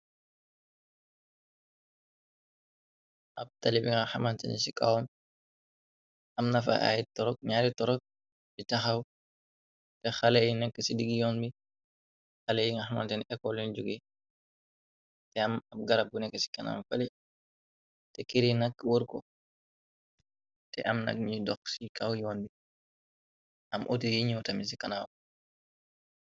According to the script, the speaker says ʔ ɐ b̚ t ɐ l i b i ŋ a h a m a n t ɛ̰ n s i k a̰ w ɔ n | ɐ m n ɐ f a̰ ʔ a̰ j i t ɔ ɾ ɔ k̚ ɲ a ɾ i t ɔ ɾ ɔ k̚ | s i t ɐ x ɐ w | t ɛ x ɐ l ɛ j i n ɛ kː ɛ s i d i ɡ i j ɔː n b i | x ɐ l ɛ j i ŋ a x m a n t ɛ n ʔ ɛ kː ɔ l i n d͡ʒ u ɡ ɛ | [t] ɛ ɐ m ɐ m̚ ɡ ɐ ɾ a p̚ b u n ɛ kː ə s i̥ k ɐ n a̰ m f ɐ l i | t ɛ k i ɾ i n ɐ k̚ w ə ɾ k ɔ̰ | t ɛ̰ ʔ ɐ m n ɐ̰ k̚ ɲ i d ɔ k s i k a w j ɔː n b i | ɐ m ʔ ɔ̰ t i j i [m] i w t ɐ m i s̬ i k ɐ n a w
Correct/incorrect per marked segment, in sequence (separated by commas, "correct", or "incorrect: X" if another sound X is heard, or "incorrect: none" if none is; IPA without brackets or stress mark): correct, incorrect: ɲ